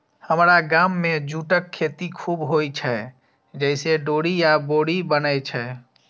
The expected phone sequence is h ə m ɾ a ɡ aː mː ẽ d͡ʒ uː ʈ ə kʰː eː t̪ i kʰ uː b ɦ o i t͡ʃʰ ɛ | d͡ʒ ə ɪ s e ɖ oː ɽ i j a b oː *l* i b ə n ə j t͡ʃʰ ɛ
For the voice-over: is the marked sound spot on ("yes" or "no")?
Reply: no